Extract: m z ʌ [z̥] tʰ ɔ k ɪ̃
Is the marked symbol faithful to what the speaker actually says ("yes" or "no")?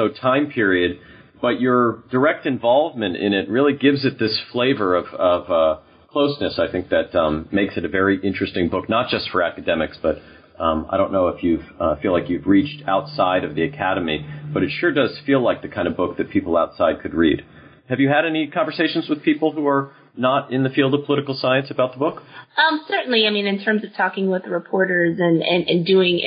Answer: no